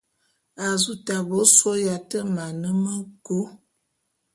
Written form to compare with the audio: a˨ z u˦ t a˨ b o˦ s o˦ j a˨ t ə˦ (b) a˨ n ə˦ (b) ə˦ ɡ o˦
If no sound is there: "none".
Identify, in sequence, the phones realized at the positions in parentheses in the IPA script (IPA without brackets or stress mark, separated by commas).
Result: m, m